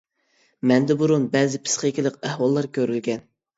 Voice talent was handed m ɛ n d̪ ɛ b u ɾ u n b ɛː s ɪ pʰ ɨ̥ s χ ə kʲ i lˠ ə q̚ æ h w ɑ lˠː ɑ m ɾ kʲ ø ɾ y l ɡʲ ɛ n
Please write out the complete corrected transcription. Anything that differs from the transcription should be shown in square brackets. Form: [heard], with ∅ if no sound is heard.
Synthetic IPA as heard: m ɛ n d̪ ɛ b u ɾ u n b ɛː [z] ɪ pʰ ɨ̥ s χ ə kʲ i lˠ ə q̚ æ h w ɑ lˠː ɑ [∅] ɾ kʲ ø ɾ y l ɡʲ ɛ n